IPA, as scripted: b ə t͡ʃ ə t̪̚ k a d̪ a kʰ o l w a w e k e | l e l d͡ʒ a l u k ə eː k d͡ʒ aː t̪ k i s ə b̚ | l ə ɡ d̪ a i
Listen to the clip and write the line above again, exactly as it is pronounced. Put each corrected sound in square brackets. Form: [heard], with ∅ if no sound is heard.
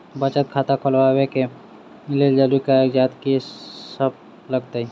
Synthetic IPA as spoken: b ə t͡ʃ ə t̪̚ [kʰ] a [t̪] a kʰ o l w a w e k e | l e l d͡ʒ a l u k [a] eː k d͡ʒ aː t̪ k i s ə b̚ | l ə ɡ [t̪] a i